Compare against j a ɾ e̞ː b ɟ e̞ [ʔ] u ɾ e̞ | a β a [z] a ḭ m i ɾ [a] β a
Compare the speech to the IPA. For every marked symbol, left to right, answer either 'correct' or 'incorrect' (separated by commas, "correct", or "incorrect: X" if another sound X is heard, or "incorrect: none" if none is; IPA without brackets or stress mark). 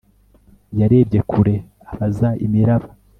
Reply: incorrect: k, correct, correct